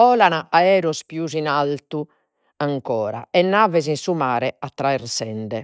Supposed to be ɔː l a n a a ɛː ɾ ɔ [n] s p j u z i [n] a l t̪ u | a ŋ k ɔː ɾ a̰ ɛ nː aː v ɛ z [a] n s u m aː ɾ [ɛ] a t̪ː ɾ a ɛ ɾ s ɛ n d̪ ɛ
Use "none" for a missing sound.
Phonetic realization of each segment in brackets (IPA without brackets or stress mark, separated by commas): none, n, i, ɛ